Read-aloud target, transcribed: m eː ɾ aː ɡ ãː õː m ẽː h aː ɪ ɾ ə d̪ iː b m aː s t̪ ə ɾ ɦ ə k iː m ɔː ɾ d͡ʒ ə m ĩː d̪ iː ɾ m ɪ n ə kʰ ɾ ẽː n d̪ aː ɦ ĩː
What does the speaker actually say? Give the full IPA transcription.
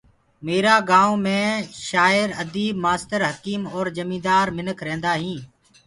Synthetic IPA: m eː ɾ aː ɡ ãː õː m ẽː ʃ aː ɪ ɾ ə d̪ iː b m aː s t̪ ə ɾ ɦ ə k iː m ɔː ɾ d͡ʒ ə m ĩː d̪ aː ɾ m ɪ n ə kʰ ɾ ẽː n d̪ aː ɦ ĩː